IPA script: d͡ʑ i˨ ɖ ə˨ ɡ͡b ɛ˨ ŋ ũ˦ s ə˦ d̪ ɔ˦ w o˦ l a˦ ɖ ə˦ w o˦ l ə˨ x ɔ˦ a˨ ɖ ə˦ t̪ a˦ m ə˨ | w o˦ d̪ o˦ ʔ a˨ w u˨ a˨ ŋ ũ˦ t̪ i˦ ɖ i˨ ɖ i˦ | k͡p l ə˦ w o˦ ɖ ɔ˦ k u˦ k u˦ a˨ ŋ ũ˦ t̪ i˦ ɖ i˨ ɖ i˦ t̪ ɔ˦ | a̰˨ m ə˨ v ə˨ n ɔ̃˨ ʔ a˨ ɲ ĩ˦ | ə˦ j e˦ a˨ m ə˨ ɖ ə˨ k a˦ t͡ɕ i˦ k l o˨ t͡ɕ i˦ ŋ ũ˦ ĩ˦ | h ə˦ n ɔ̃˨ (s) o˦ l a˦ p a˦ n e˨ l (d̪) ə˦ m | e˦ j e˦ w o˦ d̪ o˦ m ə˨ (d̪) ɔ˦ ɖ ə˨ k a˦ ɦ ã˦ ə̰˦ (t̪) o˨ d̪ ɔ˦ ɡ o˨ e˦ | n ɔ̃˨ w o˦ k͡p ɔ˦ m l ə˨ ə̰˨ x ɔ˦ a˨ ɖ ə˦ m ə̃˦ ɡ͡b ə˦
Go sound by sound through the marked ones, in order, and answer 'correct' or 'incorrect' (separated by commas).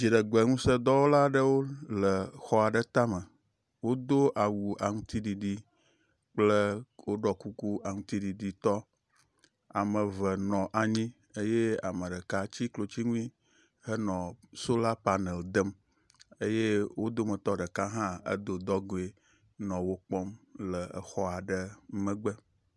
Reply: correct, correct, incorrect, incorrect